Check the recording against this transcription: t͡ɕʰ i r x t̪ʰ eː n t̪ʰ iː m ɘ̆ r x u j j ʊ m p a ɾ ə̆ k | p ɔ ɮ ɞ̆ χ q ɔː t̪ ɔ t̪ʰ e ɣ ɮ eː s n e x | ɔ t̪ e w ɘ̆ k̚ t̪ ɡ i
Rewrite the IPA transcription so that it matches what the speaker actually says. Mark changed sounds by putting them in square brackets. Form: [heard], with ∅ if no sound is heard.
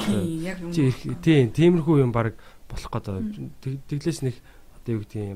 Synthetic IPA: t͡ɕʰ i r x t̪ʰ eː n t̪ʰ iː m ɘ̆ r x u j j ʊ m p a ɾ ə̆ k | p ɔ ɮ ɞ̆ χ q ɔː t̪ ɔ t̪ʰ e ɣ ɮ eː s n e x | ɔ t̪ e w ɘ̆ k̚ t̪ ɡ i